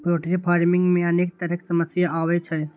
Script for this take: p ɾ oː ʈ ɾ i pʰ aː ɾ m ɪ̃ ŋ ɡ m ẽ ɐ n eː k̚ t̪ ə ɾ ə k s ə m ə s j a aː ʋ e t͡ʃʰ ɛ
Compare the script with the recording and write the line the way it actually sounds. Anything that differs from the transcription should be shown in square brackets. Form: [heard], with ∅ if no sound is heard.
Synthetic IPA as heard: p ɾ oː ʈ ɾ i pʰ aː ɾ m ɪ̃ ŋ ɡ m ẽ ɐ n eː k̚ t̪ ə ɾ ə k s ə m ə s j a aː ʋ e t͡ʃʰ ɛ